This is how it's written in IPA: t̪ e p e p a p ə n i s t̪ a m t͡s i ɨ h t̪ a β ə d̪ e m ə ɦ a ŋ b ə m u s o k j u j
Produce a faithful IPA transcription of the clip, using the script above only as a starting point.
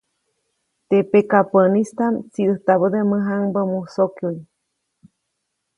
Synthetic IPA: t̪ e p e k a p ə n i s t̪ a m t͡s i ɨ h t̪ a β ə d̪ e m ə ɦ a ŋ b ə m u s o k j u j